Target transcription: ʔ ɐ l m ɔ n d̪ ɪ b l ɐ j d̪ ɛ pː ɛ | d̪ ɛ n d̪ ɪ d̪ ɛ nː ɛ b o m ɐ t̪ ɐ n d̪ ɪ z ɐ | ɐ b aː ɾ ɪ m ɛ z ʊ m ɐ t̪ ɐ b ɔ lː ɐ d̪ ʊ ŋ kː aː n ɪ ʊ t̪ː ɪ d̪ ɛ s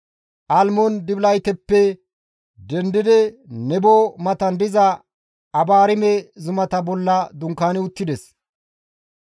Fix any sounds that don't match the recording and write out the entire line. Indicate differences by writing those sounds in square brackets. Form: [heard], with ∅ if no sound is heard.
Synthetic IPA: ʔ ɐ l m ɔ n d̪ ɪ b l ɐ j [t̪] ɛ pː ɛ | d̪ ɛ n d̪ ɪ d̪ ɛ [n] ɛ b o m ɐ t̪ ɐ n d̪ ɪ z ɐ | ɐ b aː ɾ ɪ m ɛ z ʊ m ɐ t̪ ɐ b ɔ lː ɐ d̪ ʊ ŋ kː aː n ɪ ʊ t̪ː ɪ d̪ ɛ s